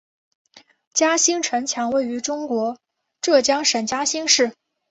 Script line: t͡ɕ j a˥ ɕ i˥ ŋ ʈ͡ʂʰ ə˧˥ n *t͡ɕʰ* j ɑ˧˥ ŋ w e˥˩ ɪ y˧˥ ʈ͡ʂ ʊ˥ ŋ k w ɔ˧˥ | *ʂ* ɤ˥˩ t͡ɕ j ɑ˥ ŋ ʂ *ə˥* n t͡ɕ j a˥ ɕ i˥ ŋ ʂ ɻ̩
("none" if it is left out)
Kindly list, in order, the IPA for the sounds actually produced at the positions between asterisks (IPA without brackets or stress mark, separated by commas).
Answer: t͡ɕʰ, ʈ͡ʂ, ə˨˩